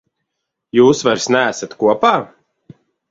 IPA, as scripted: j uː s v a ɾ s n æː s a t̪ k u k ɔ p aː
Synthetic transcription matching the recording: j uː s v a ɾ s n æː s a t̪ k u ɔ p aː

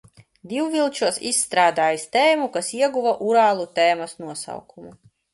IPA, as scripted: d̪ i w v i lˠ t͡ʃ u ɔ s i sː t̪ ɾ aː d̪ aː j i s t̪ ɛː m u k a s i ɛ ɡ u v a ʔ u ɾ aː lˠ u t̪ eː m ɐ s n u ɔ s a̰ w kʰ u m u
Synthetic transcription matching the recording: d̪ i w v i lˠ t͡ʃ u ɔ s i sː t̪ ɾ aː d̪ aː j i s t̪ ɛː m u k a s i ɛ ɡ u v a ʔ u ɾ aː lˠ u t̪ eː m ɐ s n u ɔ s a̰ w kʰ u m u

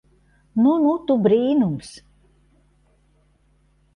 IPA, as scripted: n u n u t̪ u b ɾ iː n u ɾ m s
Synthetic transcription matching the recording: n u n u t̪ u b ɾ iː n u m s

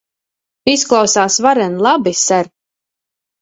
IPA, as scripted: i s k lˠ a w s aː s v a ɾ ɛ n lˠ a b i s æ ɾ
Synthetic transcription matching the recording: i s k lˠ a w s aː s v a ɾ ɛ n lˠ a b i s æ ɾ

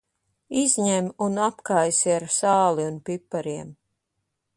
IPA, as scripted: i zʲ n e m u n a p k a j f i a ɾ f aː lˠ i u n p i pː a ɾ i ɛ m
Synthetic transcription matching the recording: i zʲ ɲ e m u n a p k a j s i a ɾ s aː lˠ i u n p i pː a ɾ i ɛ m

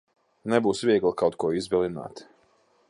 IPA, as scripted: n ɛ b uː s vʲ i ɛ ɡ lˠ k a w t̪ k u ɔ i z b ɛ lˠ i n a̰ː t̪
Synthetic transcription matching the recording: n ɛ b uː s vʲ i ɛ ɡ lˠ k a w t̪ k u ɔ i z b ɛ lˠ i n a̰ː t̪

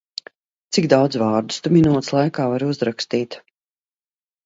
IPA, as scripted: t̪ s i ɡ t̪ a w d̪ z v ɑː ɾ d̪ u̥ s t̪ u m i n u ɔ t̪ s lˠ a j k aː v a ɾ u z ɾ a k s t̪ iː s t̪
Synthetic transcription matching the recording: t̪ s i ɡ d̪ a w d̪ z v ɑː ɾ d̪ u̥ s t̪ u m i n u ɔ t̪ s lˠ a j k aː v a ɾ u z ɾ a k s t̪ iː t̪

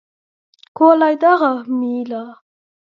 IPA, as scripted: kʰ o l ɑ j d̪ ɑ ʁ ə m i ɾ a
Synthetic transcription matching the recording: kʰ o l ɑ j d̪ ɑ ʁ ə m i l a

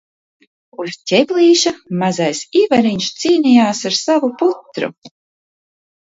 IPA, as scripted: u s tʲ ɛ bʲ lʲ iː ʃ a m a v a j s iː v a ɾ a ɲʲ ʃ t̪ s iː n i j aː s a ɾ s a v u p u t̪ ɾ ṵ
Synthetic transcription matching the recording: u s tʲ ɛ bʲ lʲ iː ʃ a m a z a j s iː v a ɾ i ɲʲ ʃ t̪ s iː n i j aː s a ɾ s a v u p u t̪ ɾ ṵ

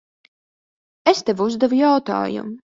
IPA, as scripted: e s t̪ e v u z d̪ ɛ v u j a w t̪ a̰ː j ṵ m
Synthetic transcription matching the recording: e s t̪ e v u z d̪ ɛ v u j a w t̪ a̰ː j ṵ m

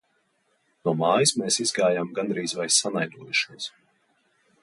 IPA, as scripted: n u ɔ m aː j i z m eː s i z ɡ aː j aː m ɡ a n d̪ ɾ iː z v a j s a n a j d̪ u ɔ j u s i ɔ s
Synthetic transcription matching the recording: n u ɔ m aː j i s m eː s i z ɡ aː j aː m ɡ a n d̪ ɾ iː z v a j s a n a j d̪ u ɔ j u ʃ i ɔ s

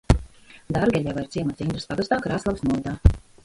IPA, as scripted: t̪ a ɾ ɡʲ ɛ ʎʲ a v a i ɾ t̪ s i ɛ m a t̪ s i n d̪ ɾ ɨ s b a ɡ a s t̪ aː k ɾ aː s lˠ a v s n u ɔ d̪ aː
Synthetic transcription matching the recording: d̪ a ɾ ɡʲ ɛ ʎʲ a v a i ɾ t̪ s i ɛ m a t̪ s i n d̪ ɾ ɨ s p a ɡ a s t̪ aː k ɾ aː s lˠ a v s n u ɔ d̪ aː

